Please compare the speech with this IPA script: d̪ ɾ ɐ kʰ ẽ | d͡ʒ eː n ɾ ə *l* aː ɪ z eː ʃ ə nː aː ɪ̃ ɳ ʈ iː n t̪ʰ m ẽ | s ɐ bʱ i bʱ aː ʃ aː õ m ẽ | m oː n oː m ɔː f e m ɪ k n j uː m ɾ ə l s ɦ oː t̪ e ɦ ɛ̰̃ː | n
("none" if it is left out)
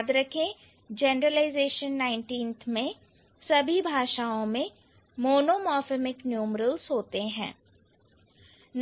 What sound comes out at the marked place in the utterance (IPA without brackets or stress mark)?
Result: l